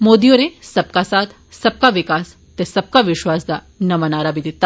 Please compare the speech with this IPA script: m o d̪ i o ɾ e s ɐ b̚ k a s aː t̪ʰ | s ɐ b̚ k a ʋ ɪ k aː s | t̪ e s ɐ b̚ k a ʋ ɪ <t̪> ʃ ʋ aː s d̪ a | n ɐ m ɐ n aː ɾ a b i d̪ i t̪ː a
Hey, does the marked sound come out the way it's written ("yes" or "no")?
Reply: no